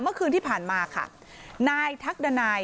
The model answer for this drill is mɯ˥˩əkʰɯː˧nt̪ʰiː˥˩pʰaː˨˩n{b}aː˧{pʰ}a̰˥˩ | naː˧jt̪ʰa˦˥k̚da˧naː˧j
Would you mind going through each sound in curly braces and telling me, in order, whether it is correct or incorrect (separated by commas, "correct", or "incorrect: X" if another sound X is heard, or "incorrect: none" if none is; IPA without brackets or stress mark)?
incorrect: m, incorrect: kʰ